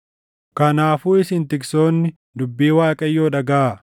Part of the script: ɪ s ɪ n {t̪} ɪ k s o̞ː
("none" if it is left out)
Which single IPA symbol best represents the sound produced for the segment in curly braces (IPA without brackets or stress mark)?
t̪